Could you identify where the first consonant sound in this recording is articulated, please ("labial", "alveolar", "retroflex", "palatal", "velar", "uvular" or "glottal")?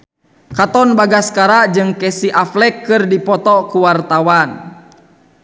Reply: velar